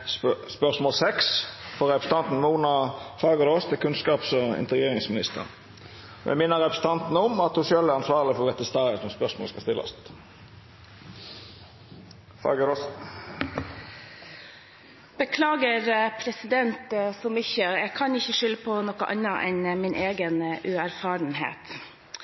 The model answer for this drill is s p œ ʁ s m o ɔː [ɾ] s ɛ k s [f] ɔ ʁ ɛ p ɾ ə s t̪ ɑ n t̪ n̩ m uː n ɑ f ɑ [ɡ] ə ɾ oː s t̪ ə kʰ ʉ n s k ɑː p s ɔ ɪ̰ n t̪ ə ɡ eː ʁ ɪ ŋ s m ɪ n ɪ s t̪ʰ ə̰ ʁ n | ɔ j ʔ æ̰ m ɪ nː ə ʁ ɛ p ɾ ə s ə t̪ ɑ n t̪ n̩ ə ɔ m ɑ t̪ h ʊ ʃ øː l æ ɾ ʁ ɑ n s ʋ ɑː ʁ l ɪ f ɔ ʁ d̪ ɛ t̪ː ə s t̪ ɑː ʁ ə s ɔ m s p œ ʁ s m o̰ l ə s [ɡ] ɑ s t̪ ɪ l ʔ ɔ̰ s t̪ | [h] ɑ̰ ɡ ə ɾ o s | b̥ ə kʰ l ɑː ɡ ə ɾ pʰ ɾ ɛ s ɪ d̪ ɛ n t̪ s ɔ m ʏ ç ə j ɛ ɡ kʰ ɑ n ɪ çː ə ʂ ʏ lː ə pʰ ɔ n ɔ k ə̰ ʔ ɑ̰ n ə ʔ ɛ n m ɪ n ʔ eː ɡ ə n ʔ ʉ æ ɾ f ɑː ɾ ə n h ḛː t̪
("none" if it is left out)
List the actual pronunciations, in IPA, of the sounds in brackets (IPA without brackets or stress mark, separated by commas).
l, f, ɡ, k, f